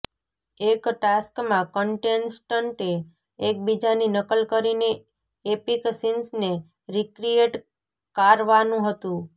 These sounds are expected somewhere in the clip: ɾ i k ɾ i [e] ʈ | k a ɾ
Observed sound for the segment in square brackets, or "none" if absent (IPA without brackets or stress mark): e